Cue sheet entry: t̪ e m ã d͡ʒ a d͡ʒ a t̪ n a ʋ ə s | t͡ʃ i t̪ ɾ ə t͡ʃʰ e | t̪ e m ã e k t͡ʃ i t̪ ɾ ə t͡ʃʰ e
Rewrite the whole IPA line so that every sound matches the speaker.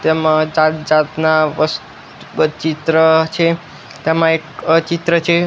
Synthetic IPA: t̪ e m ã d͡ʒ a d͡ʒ a t̪ n a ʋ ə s | t͡ʃ i t̪ ɾ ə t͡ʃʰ e | t̪ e m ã e k t͡ʃ i t̪ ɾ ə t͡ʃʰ e